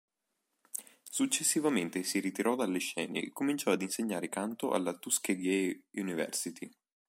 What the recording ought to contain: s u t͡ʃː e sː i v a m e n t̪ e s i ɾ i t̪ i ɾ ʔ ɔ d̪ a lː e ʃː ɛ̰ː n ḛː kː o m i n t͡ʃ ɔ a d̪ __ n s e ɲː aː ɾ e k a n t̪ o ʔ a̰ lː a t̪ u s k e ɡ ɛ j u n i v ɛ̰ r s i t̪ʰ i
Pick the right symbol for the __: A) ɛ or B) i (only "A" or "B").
B